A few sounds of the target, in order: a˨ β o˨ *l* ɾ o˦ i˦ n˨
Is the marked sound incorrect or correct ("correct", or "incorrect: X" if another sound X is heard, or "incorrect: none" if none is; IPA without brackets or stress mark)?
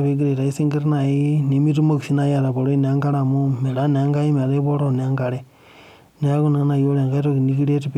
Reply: incorrect: none